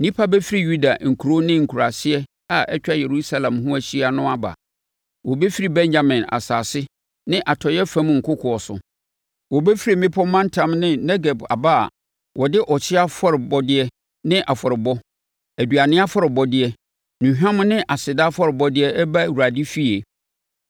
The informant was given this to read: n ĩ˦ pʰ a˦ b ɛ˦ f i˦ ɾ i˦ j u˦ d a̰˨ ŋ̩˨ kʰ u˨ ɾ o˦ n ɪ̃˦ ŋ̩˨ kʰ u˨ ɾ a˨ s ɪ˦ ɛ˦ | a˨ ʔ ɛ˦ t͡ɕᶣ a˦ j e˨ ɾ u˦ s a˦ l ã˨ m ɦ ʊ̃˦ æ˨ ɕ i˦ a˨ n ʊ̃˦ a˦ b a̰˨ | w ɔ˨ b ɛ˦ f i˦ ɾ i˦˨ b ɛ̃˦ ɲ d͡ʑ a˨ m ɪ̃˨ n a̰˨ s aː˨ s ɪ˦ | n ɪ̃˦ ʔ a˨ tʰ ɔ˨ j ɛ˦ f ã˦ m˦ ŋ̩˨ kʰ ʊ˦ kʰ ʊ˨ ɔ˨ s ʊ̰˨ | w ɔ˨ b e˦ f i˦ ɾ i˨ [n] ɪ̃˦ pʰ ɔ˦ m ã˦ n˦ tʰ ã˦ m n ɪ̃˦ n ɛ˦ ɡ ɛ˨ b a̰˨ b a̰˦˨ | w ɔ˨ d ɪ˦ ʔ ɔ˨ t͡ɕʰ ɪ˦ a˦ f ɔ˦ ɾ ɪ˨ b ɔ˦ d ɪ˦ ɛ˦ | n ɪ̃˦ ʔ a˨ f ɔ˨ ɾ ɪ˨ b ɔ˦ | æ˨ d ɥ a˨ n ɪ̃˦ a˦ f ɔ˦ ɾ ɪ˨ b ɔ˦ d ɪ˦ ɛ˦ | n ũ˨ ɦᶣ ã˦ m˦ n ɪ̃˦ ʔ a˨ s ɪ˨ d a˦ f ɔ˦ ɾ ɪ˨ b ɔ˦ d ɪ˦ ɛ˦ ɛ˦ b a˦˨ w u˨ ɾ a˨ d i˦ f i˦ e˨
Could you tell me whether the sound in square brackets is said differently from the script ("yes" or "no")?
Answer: yes